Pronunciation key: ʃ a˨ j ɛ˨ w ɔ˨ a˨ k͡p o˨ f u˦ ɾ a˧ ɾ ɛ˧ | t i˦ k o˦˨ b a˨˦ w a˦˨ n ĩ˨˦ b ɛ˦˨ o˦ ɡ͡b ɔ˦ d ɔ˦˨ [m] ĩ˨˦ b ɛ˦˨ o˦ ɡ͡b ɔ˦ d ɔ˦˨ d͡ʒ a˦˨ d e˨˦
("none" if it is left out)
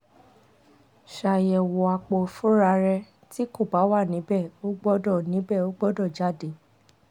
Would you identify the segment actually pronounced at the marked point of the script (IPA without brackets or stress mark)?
n